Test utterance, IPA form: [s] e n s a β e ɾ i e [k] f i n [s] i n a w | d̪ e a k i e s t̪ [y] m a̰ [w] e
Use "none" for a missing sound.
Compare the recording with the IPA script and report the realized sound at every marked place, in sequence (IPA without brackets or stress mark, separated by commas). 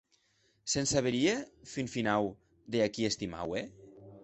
s, none, f, i, w